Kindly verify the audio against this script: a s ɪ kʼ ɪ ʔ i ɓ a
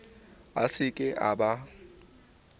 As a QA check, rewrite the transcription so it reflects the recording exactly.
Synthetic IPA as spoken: a s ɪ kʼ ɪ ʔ a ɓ a